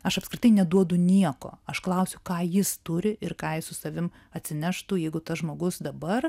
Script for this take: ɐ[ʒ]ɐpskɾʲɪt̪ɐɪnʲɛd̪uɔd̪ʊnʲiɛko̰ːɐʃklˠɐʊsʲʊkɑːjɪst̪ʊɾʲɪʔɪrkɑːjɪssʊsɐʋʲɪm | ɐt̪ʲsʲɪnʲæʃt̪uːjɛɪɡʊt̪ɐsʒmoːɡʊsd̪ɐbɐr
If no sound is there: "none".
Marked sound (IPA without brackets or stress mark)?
ʃ